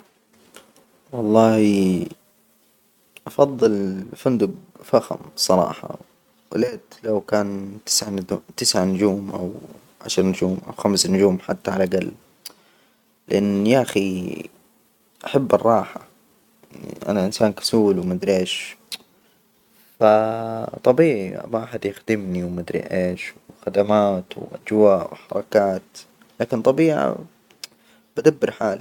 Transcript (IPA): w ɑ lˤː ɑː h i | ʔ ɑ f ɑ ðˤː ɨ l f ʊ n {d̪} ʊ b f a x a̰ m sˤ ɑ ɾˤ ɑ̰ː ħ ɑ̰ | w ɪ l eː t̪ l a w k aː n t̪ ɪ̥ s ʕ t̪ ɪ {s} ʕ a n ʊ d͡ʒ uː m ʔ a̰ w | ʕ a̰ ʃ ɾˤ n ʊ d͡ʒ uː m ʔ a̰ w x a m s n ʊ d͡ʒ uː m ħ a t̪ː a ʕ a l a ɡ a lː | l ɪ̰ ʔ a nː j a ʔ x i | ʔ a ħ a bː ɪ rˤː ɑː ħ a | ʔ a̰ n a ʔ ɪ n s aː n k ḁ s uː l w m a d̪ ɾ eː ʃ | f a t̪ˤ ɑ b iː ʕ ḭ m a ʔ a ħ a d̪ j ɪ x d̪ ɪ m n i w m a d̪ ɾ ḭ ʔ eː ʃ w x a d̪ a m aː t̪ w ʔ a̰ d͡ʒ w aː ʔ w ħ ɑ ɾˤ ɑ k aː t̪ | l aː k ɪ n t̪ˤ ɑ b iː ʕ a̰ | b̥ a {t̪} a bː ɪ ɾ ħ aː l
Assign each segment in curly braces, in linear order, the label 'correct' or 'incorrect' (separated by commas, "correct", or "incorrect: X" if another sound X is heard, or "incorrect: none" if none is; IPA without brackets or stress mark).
correct, correct, incorrect: d̪